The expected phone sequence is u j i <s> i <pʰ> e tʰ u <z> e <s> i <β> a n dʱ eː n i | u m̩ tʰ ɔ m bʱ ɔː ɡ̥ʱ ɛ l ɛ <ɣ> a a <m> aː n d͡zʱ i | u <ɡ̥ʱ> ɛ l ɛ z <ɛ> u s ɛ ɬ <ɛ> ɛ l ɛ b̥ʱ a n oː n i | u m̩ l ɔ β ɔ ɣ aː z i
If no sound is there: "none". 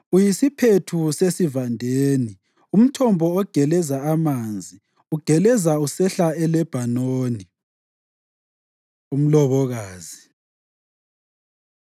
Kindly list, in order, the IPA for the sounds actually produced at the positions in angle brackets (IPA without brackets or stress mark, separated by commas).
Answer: s, pʰ, s, s, v, z, m, ɡ̥ʱ, a, a